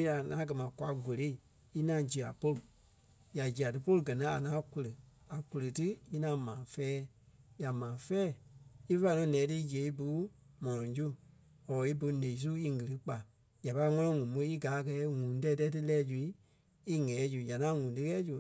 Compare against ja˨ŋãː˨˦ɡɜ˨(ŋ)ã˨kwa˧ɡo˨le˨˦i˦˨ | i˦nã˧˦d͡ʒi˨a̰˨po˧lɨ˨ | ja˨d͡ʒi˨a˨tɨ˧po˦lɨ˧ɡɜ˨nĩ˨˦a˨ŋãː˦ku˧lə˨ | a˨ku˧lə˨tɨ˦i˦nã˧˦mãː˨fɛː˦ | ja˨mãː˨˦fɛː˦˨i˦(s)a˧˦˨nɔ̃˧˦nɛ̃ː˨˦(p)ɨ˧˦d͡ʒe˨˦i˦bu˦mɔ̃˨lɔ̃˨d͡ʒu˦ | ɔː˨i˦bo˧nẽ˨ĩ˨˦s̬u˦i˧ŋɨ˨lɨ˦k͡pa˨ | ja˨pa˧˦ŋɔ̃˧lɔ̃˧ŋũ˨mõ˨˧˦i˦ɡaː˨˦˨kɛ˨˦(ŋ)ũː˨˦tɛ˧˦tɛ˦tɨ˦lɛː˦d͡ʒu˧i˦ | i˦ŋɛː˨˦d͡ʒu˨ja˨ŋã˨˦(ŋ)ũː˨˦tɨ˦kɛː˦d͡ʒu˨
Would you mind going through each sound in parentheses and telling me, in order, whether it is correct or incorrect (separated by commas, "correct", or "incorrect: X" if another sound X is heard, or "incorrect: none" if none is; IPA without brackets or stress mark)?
incorrect: m, incorrect: f, incorrect: t, correct, correct